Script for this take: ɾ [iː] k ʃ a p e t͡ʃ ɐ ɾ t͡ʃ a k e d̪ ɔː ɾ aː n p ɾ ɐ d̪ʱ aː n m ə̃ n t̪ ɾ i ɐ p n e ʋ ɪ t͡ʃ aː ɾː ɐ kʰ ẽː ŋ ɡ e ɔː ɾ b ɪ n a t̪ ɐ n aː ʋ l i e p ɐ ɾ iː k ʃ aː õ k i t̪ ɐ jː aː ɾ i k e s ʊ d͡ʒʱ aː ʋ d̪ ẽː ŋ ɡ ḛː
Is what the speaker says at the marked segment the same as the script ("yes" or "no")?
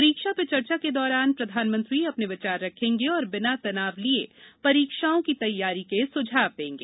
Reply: yes